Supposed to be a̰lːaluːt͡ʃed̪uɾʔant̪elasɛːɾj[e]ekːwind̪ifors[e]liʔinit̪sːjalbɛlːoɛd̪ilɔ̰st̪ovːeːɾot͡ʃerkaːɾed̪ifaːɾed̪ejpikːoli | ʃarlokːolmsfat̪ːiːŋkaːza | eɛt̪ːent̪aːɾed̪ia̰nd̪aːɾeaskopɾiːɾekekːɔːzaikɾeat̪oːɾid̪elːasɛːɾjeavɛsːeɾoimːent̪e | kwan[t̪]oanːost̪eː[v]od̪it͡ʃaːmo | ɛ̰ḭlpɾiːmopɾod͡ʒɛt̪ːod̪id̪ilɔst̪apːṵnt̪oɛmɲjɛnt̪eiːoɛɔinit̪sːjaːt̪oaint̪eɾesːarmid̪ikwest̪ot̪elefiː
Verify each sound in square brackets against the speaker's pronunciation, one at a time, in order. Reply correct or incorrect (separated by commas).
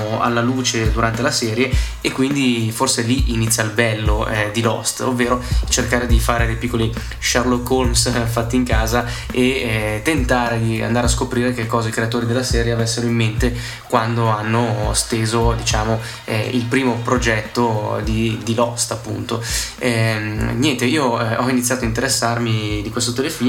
correct, correct, incorrect, incorrect